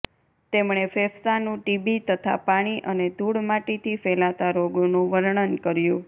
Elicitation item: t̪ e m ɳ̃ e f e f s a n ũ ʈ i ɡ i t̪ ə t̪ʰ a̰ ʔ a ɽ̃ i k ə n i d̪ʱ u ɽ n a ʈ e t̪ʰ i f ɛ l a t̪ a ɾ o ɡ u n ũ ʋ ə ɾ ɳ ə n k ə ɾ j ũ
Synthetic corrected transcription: t̪ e m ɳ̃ e f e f s a n ũ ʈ i b i t̪ ə t̪ʰ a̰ p a ɽ̃ i ʔ ə n e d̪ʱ u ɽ m a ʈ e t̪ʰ i f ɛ l a t̪ a ɾ o ɡ o n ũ ʋ ə ɾ ɳ ə n k ə ɾ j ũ